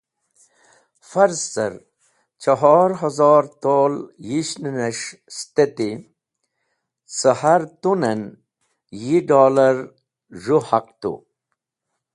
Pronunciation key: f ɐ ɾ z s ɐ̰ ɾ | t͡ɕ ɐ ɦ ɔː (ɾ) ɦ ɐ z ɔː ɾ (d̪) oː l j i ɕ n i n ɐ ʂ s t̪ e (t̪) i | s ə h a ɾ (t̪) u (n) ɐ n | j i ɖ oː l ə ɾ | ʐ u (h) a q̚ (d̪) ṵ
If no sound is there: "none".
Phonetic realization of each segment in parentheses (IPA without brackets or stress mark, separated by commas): ɾ, t̪, t̪, t̪, n, h, t̪